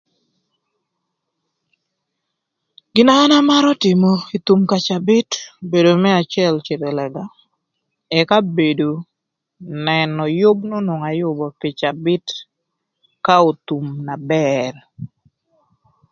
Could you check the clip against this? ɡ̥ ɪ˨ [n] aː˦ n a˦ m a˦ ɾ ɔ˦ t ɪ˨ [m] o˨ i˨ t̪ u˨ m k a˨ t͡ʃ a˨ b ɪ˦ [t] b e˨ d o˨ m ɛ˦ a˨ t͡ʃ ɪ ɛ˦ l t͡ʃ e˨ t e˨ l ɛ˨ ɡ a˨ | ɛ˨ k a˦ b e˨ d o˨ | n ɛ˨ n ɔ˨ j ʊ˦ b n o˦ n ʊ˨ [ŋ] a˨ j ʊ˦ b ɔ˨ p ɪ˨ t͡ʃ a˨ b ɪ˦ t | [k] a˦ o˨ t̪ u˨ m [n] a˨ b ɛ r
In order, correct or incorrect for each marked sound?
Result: correct, correct, correct, correct, correct, correct

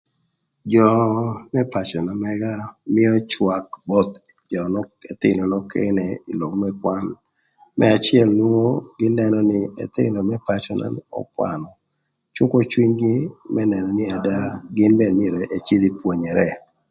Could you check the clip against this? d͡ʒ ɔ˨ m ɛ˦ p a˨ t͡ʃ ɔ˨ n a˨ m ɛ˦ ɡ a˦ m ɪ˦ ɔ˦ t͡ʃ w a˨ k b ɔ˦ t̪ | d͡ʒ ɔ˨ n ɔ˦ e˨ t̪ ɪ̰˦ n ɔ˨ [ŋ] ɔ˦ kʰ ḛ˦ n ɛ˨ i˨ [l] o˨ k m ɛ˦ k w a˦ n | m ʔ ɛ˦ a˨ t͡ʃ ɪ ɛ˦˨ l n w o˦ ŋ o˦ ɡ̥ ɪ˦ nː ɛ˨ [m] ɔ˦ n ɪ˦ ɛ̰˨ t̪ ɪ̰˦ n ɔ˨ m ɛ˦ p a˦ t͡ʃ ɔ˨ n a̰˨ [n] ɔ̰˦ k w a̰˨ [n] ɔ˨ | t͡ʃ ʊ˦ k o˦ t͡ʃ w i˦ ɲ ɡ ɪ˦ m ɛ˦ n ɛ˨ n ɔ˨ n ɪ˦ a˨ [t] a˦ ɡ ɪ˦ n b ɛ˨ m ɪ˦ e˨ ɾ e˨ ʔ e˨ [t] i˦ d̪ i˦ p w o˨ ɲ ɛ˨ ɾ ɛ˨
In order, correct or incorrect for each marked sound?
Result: incorrect, correct, incorrect, correct, correct, incorrect, incorrect

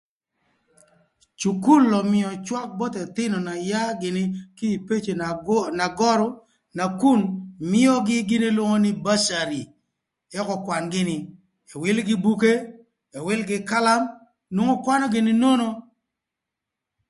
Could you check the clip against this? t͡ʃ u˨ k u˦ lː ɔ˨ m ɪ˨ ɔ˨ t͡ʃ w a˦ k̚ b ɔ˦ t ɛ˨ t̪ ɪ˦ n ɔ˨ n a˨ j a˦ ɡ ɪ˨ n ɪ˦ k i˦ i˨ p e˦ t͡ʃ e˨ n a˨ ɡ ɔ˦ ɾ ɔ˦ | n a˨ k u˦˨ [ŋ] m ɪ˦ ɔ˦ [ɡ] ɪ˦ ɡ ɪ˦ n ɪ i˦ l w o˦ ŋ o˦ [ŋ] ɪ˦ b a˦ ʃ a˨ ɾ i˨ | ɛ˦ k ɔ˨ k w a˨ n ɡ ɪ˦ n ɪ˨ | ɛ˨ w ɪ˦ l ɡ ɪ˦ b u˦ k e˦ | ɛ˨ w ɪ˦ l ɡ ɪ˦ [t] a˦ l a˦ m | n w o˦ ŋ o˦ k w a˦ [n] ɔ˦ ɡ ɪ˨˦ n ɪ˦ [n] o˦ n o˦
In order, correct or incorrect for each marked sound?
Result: incorrect, correct, incorrect, incorrect, correct, correct

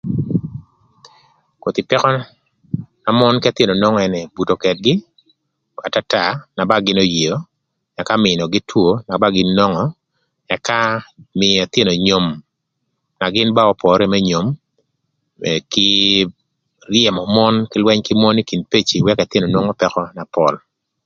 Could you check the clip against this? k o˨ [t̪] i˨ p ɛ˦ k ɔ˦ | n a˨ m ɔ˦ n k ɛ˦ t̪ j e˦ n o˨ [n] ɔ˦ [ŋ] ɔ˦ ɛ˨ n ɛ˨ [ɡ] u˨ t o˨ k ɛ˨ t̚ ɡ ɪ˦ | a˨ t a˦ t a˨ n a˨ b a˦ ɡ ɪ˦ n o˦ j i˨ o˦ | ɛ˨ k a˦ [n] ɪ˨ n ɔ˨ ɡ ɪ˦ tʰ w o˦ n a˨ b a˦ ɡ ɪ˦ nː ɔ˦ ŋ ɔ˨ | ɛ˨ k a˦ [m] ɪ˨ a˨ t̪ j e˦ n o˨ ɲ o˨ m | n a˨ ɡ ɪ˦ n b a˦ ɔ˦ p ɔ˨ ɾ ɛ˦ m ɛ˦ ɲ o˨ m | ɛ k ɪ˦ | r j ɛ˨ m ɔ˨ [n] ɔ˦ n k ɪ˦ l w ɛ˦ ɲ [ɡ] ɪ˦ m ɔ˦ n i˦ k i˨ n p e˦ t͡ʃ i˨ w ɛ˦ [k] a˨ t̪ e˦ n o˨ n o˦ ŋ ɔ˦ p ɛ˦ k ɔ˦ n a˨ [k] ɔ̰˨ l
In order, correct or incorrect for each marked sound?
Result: correct, correct, correct, incorrect, incorrect, correct, incorrect, incorrect, correct, incorrect

